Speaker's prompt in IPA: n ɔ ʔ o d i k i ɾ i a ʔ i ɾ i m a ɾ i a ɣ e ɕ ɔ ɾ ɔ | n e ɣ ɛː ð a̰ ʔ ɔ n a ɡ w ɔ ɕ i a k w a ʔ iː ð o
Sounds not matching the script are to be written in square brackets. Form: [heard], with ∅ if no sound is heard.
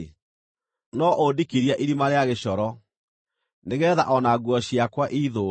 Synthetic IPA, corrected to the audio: n ɔ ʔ o d i k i ɾ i a ʔ i ɾ i m a ɾ [e] a ɣ e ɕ ɔ ɾ ɔ | n e ɣ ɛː ð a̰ ʔ ɔ n a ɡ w ɔ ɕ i a k w a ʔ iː ð o